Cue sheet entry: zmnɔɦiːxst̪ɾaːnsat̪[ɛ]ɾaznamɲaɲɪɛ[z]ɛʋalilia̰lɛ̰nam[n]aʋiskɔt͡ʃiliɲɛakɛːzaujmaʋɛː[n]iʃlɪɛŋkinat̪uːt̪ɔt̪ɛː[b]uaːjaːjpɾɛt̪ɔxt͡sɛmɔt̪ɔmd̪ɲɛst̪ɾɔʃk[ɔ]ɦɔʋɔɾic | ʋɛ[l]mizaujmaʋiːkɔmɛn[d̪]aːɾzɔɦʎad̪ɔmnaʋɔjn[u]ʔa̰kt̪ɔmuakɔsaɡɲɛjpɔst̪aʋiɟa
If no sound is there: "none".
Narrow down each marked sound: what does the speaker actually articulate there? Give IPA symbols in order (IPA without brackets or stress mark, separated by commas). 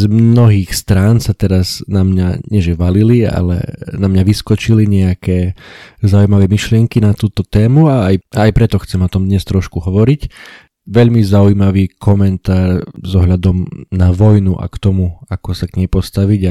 ɛ, ʒ, ɲ, m, m, u, ʎ, t̪, u